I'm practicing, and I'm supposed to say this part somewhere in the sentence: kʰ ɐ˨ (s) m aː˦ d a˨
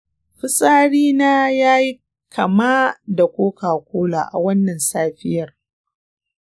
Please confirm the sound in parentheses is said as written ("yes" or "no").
no